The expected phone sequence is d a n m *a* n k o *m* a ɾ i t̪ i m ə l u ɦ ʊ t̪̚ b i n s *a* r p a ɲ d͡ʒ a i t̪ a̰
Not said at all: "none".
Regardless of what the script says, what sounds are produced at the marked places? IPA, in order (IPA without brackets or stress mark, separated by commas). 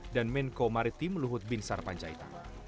ɛ, m, a